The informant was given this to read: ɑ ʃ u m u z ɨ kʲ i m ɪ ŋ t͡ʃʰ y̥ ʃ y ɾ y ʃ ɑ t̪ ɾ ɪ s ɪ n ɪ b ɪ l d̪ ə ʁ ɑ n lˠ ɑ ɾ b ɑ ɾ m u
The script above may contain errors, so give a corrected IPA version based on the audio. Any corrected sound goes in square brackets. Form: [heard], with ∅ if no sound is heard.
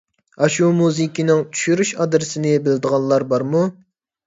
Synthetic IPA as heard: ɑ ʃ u m u z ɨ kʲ i [n] ɪ ŋ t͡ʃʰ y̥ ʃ y ɾ y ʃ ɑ [d̪] ɾ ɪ s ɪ n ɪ b ɪ l d̪ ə ʁ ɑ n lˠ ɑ ɾ b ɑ ɾ m u